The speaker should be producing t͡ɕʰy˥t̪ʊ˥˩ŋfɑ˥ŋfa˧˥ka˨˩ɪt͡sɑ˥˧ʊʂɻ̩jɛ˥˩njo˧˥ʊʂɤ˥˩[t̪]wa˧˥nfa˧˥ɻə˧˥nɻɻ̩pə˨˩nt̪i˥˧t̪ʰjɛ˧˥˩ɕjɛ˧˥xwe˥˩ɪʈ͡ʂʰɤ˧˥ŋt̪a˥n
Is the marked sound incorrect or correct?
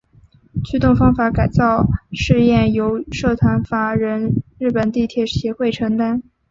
incorrect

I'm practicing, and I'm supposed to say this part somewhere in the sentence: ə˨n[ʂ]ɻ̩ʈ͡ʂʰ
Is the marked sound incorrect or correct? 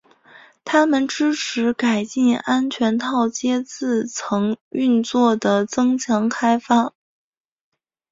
incorrect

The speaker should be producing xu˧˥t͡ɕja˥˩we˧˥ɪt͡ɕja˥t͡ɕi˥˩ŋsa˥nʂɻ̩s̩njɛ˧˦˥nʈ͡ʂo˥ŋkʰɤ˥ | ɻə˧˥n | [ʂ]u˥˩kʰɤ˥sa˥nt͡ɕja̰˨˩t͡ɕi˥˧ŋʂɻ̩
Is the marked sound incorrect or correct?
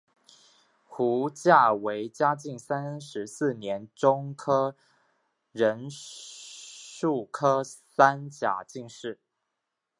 correct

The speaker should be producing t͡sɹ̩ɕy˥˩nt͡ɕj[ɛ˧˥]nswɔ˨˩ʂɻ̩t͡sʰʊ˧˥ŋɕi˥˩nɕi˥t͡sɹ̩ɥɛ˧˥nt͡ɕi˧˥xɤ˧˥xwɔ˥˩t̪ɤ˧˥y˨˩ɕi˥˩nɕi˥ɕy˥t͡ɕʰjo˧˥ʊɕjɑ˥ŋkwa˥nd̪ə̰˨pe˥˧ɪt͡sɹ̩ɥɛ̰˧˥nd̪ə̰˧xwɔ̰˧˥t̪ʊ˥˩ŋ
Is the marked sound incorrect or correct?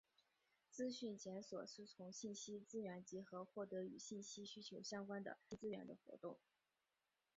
correct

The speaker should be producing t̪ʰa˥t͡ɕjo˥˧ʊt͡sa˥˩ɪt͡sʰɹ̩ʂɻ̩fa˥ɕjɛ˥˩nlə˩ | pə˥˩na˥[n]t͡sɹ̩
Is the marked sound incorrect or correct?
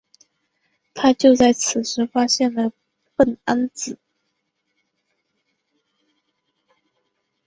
correct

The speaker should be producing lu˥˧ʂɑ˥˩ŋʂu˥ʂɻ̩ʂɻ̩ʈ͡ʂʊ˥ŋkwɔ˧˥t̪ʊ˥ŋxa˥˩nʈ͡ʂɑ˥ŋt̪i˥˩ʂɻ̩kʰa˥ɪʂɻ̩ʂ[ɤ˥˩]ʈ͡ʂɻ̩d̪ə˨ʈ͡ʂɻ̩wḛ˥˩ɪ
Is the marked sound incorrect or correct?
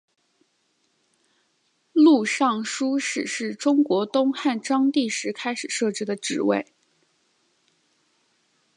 correct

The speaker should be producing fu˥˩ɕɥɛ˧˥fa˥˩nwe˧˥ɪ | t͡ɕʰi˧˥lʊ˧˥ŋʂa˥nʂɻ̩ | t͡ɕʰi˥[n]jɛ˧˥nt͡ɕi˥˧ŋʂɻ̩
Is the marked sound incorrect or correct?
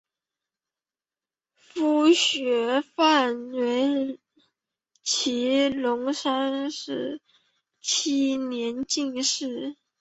correct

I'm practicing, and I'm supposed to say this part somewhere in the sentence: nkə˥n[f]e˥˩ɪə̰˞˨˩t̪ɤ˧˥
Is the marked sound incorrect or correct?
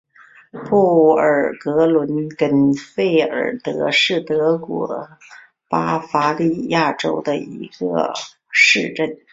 correct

